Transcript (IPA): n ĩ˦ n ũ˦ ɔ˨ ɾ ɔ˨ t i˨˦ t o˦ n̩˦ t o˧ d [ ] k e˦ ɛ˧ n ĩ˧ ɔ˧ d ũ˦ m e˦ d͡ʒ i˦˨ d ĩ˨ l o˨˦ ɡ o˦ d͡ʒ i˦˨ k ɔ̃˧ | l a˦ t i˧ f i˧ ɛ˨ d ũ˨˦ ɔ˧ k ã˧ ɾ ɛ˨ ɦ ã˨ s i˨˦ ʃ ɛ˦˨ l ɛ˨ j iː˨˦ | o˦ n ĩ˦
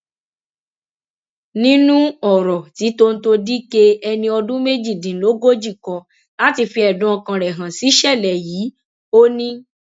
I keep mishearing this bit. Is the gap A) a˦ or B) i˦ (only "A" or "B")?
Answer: B